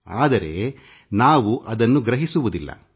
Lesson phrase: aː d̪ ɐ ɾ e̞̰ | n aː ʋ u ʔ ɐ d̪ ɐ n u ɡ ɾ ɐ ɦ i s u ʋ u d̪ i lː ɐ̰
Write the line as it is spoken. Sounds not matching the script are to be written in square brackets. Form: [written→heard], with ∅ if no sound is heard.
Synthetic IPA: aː d̪ ɐ ɾ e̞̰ | n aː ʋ u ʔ ɐ d̪ ɐ [n→nː] u ɡ ɾ ɐ ɦ i s u ʋ u d̪ i lː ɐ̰